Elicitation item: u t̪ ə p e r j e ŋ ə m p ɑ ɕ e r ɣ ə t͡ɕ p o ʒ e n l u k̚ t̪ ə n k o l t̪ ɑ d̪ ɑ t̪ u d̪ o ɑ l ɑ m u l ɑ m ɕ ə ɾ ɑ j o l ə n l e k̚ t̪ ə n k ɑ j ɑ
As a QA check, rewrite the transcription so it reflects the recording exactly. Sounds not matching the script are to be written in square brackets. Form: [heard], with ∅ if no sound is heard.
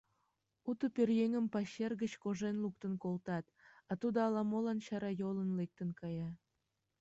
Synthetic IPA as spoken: u t̪ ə p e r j e ŋ ə m p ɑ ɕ e r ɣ ə t͡ɕ [k] o ʒ e n l u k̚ t̪ ə n k o l t̪ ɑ [t̪] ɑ t̪ u d̪ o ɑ l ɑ m [o] l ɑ [n] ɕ [ɑ] ɾ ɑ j o l ə n l e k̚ t̪ ə n k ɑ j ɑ